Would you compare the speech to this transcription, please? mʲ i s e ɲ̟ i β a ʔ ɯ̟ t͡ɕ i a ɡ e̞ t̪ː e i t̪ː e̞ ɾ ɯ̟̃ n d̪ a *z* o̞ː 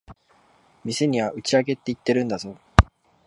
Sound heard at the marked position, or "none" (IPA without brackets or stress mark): z